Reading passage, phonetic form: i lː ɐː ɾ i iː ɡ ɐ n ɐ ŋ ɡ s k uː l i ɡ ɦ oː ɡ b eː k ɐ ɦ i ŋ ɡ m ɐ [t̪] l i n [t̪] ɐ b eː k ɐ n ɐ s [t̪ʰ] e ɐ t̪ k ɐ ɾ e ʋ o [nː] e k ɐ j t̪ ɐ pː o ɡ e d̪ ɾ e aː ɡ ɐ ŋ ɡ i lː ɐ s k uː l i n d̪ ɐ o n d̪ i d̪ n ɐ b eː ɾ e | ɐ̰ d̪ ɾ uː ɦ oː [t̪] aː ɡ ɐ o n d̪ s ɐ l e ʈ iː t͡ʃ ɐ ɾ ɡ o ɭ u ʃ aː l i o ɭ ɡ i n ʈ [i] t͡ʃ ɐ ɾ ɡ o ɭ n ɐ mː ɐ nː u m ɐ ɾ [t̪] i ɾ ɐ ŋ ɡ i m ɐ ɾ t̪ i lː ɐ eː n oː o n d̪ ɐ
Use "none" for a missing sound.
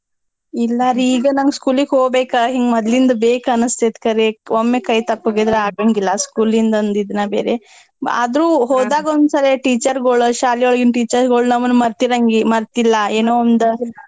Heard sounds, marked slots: d̪, d̪, t̪, mː, d̪, iː, t̪

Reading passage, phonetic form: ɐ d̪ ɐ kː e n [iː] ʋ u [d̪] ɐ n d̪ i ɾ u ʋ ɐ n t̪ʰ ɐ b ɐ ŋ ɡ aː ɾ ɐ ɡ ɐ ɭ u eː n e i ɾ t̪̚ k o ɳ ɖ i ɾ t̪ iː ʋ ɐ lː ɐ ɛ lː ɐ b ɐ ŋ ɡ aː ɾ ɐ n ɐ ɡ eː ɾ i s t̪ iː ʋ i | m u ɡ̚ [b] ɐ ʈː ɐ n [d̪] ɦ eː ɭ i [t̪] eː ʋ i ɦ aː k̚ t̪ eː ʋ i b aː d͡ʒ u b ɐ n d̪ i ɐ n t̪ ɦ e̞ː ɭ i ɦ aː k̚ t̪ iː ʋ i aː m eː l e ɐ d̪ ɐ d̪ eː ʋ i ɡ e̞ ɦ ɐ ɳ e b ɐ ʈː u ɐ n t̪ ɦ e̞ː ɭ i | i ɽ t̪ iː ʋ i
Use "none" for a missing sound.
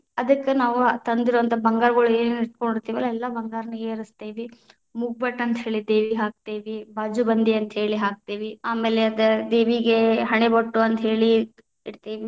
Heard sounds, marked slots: aː, t̪, b, t̪, d̪

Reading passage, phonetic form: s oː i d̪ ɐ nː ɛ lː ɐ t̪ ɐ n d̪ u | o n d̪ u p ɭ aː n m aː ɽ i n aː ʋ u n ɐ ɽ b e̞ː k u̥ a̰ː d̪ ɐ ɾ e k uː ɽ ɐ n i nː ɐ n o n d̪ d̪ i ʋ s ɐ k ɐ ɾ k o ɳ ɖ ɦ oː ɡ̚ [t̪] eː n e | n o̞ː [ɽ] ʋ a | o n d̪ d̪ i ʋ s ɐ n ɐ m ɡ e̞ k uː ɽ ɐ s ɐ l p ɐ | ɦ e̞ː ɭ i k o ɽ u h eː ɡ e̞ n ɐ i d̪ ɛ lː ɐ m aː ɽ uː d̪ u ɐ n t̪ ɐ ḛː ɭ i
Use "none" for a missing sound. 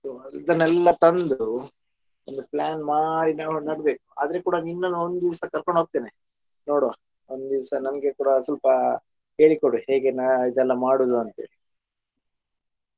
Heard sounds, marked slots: t̪, ɽ

